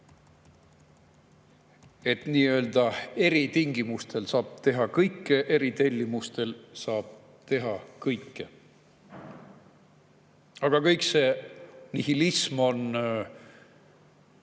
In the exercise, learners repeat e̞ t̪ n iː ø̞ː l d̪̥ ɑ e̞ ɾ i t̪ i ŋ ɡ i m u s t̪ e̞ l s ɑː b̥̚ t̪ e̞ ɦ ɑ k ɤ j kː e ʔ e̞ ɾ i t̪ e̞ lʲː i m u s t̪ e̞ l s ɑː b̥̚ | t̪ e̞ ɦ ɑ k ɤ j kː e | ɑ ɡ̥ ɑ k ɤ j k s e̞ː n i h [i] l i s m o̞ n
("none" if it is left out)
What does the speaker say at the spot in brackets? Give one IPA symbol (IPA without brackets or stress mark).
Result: i